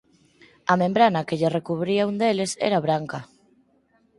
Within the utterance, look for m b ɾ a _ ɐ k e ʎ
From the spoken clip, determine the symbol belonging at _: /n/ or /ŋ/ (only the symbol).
n